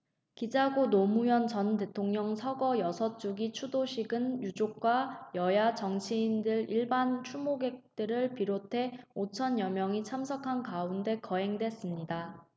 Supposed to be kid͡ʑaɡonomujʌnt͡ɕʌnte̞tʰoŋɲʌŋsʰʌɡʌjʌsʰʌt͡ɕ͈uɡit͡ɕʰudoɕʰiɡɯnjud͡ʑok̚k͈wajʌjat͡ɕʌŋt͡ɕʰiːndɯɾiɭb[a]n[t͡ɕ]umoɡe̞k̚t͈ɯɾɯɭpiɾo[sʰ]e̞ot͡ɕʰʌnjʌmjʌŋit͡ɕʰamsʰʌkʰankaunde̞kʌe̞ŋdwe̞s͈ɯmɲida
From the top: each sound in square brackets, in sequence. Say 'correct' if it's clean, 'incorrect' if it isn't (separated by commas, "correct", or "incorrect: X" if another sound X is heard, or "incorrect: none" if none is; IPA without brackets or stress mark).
correct, incorrect: t͡ɕʰ, incorrect: tʰ